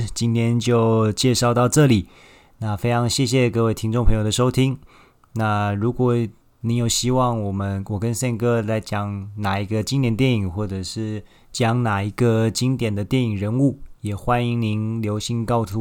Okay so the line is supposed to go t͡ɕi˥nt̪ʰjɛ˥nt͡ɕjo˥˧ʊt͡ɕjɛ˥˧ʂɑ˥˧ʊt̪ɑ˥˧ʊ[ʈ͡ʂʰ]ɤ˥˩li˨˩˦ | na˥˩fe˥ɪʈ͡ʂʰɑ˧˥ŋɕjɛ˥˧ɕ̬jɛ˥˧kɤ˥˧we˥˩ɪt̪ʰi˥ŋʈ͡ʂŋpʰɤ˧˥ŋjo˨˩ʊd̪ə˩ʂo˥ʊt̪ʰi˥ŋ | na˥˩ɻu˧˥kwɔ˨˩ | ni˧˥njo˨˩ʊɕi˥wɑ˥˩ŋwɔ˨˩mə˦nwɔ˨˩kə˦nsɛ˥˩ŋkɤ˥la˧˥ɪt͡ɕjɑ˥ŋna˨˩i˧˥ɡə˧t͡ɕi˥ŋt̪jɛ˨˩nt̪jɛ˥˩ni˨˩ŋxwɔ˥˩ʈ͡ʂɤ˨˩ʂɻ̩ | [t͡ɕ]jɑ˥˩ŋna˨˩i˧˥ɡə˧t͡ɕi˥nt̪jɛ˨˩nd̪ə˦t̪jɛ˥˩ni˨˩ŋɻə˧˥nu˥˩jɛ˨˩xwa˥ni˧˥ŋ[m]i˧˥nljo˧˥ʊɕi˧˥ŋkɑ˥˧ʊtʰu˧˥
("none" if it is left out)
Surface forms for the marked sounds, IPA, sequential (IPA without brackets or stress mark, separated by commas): ʈ͡ʂ, t͡ɕ, n